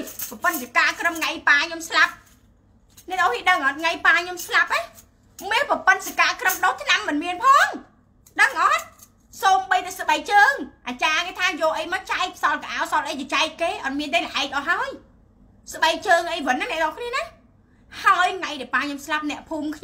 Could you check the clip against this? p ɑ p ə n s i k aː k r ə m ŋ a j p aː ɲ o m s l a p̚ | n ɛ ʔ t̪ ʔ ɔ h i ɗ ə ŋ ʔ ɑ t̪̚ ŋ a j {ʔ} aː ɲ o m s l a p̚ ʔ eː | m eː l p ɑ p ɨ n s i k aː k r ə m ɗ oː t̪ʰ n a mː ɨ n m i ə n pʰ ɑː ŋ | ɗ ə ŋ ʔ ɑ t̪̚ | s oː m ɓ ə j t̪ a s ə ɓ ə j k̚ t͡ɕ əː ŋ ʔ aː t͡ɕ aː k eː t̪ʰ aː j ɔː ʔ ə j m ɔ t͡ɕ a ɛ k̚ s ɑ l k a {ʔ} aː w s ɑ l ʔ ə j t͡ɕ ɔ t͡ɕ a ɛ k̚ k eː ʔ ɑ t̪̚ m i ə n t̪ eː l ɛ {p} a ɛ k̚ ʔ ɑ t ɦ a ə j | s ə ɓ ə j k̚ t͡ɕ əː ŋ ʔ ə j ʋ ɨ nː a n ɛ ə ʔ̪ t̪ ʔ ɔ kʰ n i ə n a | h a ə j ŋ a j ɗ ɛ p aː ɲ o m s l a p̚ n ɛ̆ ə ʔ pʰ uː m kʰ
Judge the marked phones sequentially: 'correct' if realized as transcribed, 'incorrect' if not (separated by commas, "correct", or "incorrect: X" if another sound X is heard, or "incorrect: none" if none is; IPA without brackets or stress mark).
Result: incorrect: p, correct, incorrect: ʔ